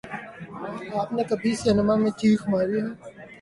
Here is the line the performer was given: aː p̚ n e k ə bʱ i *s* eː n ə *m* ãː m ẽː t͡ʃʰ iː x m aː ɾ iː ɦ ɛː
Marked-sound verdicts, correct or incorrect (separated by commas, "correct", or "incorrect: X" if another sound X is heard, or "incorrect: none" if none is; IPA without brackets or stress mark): correct, correct